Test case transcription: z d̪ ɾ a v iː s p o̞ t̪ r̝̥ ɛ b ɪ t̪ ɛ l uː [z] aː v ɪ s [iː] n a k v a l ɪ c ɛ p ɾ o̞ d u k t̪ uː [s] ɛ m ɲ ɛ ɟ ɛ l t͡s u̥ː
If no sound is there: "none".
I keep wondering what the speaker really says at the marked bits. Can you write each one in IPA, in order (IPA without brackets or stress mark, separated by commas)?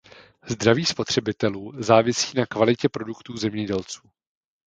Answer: z, iː, z